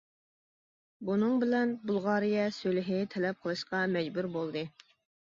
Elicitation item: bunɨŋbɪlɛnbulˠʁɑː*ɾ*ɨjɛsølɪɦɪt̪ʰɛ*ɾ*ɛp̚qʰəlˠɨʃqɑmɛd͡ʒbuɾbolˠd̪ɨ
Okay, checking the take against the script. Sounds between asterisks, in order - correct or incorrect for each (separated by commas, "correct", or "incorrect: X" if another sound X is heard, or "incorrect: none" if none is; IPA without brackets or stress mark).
correct, incorrect: l